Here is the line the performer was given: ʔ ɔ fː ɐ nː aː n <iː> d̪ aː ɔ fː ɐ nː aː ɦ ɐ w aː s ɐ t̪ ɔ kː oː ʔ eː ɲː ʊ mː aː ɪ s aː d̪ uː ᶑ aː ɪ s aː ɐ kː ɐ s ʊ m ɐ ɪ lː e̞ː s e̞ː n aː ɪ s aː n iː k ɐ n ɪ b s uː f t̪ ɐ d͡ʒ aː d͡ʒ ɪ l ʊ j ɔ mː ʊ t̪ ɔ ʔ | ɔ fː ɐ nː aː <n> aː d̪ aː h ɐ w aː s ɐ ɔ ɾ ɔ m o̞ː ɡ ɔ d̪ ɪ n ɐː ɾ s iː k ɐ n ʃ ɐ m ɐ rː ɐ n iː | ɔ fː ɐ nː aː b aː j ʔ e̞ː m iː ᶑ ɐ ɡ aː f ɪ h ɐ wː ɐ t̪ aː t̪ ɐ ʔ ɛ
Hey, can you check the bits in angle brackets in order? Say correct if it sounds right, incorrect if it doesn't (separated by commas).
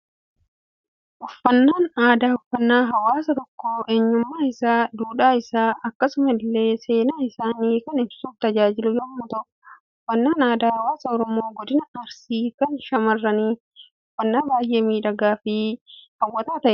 incorrect, correct